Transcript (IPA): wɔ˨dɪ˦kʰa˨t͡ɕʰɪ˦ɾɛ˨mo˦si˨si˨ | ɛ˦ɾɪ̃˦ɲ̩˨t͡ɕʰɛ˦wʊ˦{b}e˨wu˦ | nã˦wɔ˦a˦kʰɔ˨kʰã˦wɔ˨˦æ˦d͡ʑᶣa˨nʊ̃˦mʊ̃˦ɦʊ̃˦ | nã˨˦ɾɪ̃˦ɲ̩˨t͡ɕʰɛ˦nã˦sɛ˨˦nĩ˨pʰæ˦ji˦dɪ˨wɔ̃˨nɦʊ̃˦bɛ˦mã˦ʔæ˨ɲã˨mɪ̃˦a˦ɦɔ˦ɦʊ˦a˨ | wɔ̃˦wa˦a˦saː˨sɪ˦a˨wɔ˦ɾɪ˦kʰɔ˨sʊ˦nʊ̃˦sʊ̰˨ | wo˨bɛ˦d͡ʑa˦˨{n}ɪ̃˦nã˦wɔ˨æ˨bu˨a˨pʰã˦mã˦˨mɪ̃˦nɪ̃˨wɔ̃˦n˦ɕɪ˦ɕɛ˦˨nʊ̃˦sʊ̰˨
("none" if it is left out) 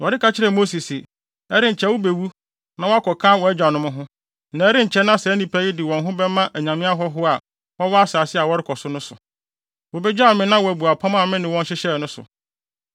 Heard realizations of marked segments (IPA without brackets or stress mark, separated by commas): b, m